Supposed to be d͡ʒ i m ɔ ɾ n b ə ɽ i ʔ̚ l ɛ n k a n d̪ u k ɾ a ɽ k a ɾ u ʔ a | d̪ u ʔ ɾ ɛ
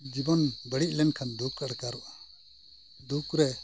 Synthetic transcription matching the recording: d͡ʒ i b ɔ n b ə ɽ i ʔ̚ l ɛ n kʰ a n d̪ u k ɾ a ɽ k a ɾ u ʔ a | d̪ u k ɾ ɛ

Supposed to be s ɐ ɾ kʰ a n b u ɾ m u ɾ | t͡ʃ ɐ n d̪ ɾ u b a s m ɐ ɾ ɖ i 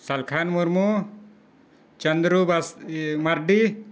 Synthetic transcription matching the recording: s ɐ l kʰ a n m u ɾ m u | t͡ʃ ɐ n d̪ ɾ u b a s m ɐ ɾ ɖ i

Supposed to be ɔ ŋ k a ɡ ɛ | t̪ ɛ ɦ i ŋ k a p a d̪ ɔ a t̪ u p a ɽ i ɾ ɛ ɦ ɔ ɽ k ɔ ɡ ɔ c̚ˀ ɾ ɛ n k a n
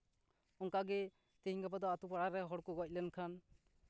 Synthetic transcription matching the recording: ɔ ŋ k a ɡ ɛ | t̪ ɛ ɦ i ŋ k a p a d̪ ɔ a t̪ u p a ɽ a ɾ ɛ ɦ ɔ ɽ k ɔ ɡ ɔ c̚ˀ l ɛ n kʰ a n

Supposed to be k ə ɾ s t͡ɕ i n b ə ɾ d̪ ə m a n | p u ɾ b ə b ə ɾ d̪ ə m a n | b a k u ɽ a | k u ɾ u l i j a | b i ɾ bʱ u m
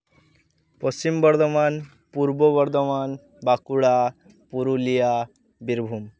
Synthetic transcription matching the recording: p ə s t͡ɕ i m b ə ɾ d̪ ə m a n | p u ɾ b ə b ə ɾ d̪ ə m a n | b a k u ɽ a | p u ɾ u l i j a | b i ɾ bʱ u m

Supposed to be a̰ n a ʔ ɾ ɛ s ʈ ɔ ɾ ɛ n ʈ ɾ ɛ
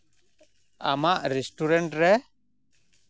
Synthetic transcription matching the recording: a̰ m a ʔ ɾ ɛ s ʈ u ɾ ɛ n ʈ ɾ ɛ

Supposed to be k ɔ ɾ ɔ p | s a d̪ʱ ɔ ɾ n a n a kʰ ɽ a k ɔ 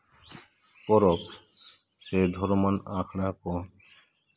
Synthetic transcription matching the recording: k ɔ ɾ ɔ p | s e d̪ʱ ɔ ɾ m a n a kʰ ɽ a k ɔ

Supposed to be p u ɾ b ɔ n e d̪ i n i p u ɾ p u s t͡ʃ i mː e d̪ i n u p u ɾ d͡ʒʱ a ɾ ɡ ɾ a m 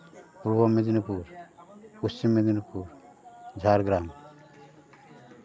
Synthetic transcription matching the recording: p u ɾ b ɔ m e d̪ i n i p u ɾ p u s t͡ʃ i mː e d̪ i n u p u ɾ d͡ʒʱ a ɾ ɡ ɾ a m

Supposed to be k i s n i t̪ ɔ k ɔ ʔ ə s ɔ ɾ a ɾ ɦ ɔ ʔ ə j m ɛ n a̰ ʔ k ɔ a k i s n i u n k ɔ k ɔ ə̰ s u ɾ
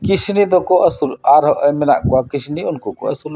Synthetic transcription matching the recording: k i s n i d̪ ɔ k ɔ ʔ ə s u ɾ a ɾ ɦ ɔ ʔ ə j m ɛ n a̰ ʔ k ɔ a k i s n i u n k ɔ k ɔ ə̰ s u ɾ

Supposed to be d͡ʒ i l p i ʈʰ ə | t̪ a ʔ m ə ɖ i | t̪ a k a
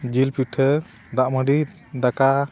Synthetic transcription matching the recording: d͡ʒ i l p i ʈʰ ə | d̪ a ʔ m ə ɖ i | d̪ a k a

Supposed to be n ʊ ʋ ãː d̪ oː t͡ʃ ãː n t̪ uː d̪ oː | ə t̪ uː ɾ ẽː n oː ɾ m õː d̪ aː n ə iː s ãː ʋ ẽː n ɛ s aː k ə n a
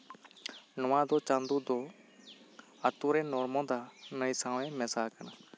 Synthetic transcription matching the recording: n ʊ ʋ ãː d̪ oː t͡ʃ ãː n d̪ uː d̪ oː | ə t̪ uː ɾ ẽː n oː ɾ m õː d̪ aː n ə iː s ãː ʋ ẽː m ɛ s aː k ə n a

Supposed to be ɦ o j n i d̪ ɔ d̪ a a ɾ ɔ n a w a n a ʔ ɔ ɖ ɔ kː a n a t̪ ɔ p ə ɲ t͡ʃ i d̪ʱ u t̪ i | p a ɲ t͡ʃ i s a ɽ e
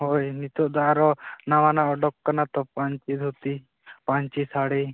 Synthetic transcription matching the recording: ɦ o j n i t̪ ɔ d̪ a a ɾ ɔ n a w a n a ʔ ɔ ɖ ɔ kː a n a t̪ ɔ p a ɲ t͡ʃ i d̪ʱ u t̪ i | p a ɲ t͡ʃ i s a ɽ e

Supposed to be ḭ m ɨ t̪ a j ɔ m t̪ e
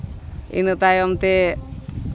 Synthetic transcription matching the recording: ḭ n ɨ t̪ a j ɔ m t̪ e

